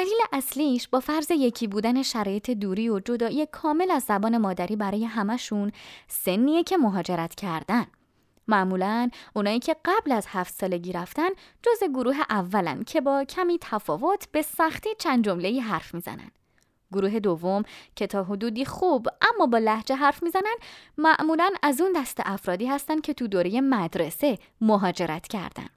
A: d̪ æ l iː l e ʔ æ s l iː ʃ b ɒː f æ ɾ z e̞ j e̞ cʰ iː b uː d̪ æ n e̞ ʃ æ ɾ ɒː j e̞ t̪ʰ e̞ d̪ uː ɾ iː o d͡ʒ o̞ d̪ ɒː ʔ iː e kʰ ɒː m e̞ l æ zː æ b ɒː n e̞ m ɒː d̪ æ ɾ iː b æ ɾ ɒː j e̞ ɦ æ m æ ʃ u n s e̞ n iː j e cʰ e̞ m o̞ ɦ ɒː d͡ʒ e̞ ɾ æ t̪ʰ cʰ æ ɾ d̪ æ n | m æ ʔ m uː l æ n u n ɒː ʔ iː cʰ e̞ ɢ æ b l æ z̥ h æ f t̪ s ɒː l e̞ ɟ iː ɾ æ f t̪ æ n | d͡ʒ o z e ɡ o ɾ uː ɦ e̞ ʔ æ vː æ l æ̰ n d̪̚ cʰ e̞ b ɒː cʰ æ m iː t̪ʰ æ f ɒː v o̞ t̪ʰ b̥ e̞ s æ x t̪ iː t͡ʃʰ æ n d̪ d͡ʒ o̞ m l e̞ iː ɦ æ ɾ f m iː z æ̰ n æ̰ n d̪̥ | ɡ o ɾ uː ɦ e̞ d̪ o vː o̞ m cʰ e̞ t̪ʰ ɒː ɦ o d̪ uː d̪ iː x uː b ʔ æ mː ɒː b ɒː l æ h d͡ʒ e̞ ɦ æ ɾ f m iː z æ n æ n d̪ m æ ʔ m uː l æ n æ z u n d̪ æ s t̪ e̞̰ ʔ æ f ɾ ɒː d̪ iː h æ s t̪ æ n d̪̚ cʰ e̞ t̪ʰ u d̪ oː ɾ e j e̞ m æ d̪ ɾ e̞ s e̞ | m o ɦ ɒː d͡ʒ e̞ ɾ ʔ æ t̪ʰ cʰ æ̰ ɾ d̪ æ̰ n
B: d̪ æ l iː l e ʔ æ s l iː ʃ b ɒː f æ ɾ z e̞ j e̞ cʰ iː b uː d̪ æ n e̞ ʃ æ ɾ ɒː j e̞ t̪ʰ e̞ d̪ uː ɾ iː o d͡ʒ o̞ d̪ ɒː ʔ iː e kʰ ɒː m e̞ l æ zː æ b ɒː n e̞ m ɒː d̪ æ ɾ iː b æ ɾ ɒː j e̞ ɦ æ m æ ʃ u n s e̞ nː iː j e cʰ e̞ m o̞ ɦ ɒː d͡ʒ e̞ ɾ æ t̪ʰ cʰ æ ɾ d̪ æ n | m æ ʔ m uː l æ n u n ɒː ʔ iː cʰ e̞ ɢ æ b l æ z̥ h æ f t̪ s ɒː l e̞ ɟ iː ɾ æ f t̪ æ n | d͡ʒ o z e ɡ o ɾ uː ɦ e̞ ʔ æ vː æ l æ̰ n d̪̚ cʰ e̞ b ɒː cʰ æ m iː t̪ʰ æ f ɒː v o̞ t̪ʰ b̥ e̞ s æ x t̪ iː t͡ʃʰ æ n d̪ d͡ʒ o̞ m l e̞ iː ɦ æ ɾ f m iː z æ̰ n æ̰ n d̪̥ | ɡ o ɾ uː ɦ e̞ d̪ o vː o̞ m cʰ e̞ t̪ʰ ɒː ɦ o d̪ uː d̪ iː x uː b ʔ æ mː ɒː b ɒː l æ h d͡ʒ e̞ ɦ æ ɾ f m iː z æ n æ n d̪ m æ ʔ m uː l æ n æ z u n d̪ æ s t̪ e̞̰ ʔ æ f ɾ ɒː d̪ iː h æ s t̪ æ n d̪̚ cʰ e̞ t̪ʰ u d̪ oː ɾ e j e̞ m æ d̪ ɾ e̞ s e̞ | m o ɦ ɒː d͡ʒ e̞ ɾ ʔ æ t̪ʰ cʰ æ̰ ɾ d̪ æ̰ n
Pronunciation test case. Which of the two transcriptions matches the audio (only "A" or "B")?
B